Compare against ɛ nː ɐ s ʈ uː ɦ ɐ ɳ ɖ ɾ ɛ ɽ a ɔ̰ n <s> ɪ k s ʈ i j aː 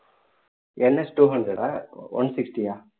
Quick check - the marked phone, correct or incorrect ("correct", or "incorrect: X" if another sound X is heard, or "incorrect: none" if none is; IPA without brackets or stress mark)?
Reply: correct